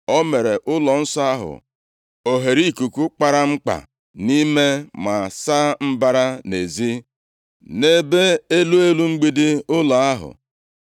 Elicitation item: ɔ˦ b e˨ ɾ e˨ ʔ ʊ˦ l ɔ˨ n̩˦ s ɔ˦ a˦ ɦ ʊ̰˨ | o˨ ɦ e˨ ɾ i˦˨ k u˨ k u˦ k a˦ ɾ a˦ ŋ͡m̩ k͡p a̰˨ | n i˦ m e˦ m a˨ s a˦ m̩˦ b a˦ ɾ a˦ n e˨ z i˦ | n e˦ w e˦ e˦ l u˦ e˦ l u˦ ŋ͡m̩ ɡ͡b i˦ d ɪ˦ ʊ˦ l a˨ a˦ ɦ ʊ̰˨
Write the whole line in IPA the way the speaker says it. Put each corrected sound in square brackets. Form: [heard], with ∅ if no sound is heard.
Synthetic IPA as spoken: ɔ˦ [m] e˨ ɾ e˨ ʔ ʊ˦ l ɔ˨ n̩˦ s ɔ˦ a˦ ɦ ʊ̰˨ | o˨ ɦ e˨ ɾ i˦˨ k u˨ k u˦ [k͡p] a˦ ɾ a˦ ŋ͡m̩ k͡p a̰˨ | n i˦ m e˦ m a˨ s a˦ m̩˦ b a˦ ɾ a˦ n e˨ z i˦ | n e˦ [b] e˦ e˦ l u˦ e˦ l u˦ ŋ͡m̩ ɡ͡b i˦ d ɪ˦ ʊ˦ l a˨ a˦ ɦ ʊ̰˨